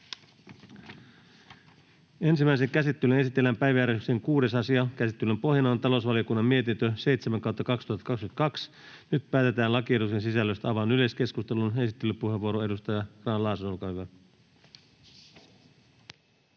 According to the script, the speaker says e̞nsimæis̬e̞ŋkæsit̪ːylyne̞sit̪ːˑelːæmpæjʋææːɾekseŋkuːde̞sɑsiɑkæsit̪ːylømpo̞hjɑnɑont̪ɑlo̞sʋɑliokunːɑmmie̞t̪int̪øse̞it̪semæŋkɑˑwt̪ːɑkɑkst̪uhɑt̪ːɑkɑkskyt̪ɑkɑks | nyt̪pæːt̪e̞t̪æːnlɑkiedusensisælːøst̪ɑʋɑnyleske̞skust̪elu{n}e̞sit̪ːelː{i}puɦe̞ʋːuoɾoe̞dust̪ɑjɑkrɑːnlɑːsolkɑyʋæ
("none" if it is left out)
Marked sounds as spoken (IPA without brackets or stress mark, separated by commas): n, y